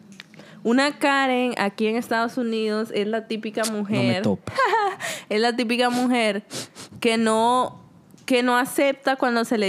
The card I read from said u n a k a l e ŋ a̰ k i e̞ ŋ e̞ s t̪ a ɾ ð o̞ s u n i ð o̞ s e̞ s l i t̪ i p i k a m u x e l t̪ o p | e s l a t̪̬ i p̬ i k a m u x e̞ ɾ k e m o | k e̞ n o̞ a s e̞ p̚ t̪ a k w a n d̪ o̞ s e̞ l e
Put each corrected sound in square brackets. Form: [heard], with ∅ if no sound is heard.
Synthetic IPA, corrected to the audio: u n a k a [ɾ] e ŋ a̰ k i e̞ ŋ e̞ s t̪ a [∅] ð o̞ s u n i ð o̞ s e̞ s l [a] t̪ i p i k a m u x e [ɾ] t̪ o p | e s l a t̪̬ i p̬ i k a m u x e̞ ɾ k e [n] o | k e̞ n o̞ a s e̞ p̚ t̪ a k w a n d̪ o̞ s e̞ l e